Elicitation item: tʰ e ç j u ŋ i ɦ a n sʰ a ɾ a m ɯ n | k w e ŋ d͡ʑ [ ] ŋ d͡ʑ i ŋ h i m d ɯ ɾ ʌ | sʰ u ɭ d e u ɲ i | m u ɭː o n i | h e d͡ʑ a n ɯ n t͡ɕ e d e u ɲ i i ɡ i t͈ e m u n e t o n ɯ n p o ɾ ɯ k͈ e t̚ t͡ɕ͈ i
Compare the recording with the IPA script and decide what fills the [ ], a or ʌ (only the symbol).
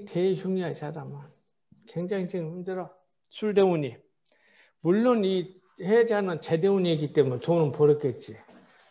a